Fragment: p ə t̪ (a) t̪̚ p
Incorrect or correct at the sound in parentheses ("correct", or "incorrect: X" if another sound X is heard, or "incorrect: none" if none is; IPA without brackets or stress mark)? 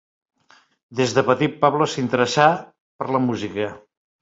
incorrect: i